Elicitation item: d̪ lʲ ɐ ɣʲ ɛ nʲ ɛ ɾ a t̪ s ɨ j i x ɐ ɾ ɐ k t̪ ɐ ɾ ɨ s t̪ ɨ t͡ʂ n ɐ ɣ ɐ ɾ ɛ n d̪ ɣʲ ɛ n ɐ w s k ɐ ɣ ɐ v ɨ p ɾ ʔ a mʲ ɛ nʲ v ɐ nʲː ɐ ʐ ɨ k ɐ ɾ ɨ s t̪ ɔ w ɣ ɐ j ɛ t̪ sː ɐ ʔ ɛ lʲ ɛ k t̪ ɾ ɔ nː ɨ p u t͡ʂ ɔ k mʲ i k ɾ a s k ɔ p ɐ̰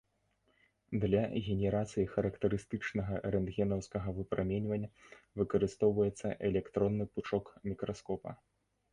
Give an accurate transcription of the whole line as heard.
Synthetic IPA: d̪ lʲ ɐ ɣʲ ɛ nʲ ɛ ɾ a t̪ s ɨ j i x ɐ ɾ ɐ k t̪ ɐ ɾ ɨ s t̪ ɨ t͡ʂ n ɐ ɣ ɐ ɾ ɛ n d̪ ɣʲ ɛ n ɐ w s k ɐ ɣ ɐ v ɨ p ɾ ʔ a mʲ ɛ nʲ v ɐ nʲː ɐ v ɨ k ɐ ɾ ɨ s t̪ ɔ w v ɐ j ɛ t̪ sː ɐ ʔ ɛ lʲ ɛ k t̪ ɾ ɔ nː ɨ p u t͡ʂ ɔ k mʲ i k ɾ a s k ɔ p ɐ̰